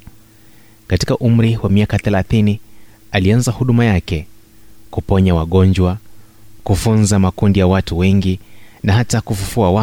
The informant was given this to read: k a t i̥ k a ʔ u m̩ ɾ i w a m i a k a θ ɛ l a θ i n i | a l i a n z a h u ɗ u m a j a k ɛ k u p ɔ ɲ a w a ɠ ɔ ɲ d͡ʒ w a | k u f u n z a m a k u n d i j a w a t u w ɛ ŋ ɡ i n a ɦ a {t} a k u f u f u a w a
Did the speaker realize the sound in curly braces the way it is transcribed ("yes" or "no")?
yes